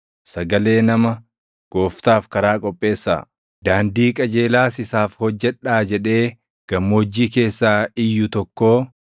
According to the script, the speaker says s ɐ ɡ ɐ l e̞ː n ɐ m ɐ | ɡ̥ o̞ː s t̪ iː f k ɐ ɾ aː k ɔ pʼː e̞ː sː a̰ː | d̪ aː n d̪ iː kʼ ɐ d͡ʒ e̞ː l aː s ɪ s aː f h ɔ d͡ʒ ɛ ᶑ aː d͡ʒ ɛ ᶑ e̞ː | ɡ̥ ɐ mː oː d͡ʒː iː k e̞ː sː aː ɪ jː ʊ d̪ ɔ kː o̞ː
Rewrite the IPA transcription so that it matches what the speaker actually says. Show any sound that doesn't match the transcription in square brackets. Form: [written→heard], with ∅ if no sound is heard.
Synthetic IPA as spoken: s ɐ ɡ ɐ l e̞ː n ɐ m ɐ | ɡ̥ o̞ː [s→f] t̪ [iː→aː] f k ɐ ɾ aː [k→kʼ] ɔ pʼː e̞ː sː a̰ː | d̪ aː n d̪ iː kʼ ɐ d͡ʒ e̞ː l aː s ɪ s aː f h ɔ [d͡ʒ→d͡ʒː] ɛ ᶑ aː d͡ʒ ɛ ᶑ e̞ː | ɡ̥ ɐ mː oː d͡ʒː iː k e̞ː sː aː ɪ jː ʊ [d̪→t̪] ɔ kː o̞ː

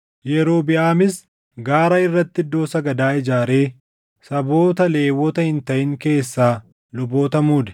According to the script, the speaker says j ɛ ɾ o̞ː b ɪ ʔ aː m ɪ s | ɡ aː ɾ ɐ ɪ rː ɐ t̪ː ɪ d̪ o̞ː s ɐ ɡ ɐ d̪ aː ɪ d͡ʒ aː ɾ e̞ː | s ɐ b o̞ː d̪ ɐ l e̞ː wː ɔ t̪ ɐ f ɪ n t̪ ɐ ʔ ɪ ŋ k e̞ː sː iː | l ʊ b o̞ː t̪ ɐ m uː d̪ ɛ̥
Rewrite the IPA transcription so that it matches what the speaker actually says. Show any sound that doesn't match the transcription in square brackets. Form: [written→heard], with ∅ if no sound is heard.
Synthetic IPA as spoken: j ɛ ɾ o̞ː b ɪ ʔ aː m ɪ s | ɡ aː ɾ ɐ ɪ rː ɐ t̪ː ɪ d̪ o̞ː s ɐ ɡ ɐ d̪ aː ɪ d͡ʒ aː ɾ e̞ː | s ɐ b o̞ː [d̪→t̪] ɐ l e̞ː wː ɔ t̪ ɐ [f→h] ɪ n t̪ ɐ ʔ ɪ ŋ k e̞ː sː [iː→aː] | l ʊ b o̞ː t̪ ɐ m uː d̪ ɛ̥

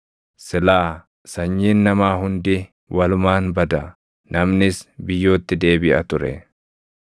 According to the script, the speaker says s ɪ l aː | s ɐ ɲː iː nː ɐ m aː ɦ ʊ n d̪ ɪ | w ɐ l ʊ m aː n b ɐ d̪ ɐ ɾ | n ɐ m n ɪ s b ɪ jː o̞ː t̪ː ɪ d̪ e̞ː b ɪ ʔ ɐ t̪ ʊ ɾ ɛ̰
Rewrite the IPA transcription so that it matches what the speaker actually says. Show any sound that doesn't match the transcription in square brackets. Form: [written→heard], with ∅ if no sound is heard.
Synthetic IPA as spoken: s ɪ l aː | s ɐ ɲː iː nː ɐ m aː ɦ ʊ n d̪ ɪ | w ɐ l ʊ m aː n b ɐ d̪ ɐ [ɾ→∅] | n ɐ m n ɪ s b ɪ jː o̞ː t̪ː ɪ d̪ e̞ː b ɪ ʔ ɐ t̪ ʊ ɾ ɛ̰

